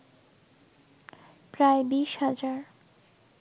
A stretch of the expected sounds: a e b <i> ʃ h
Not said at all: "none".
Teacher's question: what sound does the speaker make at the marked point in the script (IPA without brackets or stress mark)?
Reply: i